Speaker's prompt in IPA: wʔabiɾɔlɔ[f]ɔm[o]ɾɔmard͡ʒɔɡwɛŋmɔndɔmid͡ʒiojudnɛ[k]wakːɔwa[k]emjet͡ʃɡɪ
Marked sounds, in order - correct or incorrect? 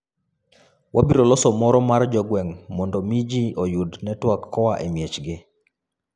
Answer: incorrect, incorrect, incorrect, incorrect

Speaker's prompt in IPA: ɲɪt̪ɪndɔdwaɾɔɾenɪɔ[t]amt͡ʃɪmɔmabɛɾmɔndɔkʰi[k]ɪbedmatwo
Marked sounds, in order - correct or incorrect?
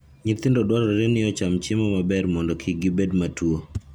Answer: incorrect, incorrect

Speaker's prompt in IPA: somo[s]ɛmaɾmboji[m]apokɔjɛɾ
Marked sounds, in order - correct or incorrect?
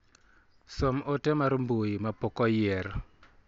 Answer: incorrect, correct

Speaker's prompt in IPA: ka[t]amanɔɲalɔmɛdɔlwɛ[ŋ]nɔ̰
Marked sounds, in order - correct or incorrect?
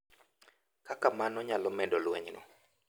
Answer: incorrect, incorrect

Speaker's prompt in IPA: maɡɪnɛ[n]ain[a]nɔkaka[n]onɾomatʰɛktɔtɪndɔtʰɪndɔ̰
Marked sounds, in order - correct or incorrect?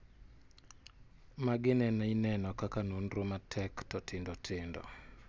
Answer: correct, incorrect, correct

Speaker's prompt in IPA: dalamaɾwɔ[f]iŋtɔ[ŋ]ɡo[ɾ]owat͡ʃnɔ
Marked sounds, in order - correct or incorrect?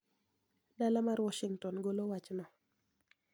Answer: incorrect, incorrect, incorrect

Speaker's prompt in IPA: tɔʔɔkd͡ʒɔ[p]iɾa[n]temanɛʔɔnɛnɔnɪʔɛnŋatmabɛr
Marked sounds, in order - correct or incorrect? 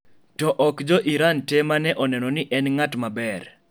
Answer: incorrect, correct

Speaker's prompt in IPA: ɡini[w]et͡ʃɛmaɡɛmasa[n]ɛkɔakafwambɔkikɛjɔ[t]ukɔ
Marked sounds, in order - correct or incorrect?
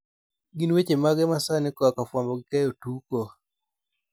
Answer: correct, correct, correct

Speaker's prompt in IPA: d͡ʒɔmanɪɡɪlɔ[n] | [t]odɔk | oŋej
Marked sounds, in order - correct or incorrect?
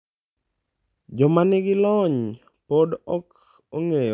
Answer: incorrect, incorrect

